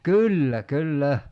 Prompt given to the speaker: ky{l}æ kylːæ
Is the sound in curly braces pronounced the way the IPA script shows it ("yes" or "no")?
no